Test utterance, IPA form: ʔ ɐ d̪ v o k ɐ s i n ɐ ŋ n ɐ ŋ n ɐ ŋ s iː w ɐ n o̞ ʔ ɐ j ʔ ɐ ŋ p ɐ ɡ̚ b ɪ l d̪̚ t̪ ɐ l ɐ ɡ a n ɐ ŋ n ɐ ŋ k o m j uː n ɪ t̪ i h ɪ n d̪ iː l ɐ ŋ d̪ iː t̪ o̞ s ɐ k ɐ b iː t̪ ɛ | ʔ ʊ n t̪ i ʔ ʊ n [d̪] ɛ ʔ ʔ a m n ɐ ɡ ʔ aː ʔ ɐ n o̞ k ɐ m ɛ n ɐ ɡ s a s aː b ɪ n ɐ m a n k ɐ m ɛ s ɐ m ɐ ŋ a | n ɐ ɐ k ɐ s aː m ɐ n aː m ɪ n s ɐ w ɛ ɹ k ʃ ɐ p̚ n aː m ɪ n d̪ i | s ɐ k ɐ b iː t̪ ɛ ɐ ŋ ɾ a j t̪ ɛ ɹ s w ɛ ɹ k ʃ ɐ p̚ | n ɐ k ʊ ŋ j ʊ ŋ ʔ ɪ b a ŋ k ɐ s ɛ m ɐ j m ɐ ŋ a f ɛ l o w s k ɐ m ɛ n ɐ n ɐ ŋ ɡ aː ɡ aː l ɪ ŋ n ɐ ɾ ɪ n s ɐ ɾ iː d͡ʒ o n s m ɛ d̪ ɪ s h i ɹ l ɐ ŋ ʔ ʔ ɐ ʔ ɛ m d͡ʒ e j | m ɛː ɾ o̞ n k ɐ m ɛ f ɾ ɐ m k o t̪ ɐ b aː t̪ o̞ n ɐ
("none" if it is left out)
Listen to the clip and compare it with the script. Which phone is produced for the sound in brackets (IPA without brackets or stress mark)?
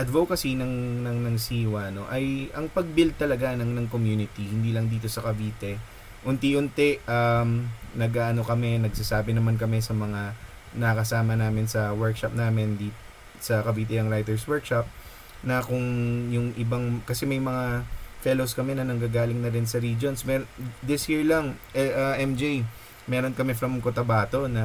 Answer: t̪